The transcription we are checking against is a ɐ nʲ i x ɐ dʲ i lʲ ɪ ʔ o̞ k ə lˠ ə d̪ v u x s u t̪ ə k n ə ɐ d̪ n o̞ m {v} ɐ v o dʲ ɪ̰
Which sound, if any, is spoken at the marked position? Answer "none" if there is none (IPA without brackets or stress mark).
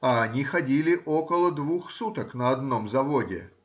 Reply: z